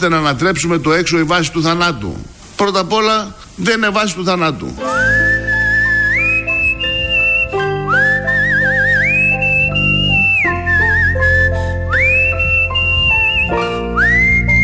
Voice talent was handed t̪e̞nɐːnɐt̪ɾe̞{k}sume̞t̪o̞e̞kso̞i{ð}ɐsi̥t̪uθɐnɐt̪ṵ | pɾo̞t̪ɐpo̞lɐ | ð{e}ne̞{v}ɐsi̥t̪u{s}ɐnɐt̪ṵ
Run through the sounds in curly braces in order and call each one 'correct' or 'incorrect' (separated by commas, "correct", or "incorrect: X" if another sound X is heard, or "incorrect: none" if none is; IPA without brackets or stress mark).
incorrect: p, incorrect: v, correct, correct, incorrect: θ